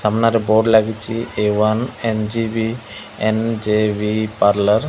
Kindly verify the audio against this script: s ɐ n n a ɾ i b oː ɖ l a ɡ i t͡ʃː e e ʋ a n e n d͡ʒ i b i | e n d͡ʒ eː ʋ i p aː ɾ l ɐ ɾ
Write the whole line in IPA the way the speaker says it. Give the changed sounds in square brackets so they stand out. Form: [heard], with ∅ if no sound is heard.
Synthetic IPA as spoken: s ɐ [m] n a ɾ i b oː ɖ l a ɡ i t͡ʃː [i] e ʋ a n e n d͡ʒ i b i | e n d͡ʒ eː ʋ i p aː ɾ l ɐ ɾ